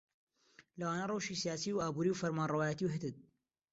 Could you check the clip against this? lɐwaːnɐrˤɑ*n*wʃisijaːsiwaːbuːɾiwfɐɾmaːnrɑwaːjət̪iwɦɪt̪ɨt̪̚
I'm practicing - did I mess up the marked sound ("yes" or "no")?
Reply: yes